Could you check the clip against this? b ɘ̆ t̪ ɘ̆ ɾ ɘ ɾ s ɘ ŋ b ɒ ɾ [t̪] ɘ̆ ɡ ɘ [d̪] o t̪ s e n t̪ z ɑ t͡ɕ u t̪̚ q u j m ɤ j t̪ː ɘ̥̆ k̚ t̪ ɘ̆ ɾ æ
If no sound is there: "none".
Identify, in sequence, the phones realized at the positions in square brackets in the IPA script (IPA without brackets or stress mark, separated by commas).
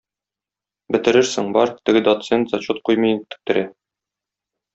t̪, d̪